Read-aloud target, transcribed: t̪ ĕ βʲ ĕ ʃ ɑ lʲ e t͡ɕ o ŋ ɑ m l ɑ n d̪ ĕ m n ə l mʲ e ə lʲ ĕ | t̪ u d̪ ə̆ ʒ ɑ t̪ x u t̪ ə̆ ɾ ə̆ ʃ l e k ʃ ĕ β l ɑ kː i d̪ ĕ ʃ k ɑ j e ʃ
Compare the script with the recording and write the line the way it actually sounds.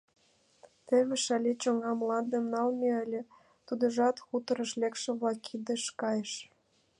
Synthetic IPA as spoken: t̪ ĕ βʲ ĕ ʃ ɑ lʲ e t͡ɕ o ŋ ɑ m l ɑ n d̪ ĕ m n ɑ l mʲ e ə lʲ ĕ | t̪ u d̪ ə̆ ʒ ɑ t̪ x u t̪ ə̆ ɾ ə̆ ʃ l e k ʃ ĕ β l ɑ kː i d̪ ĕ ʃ k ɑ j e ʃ